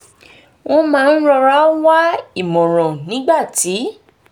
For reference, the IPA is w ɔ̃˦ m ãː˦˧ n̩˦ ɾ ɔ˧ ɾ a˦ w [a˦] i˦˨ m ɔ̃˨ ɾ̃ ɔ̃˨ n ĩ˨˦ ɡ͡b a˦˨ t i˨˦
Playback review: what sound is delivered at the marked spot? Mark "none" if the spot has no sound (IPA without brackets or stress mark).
a˦